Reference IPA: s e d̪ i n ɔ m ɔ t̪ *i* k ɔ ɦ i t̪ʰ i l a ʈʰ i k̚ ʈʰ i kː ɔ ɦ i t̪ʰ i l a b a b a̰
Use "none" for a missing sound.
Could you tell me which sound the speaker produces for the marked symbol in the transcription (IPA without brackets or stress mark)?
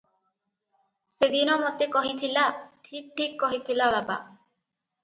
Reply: e